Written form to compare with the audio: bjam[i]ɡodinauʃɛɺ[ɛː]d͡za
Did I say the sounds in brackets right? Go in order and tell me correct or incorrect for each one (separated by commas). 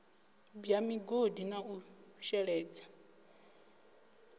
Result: correct, correct